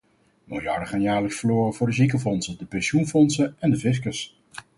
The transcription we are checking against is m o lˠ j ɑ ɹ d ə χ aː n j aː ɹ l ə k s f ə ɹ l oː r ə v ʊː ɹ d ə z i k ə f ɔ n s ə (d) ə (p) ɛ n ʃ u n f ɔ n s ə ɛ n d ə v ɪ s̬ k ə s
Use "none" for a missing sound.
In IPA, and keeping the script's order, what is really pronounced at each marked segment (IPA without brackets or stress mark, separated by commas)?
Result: d, p